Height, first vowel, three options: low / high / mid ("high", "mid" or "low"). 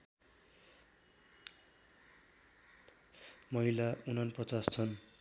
mid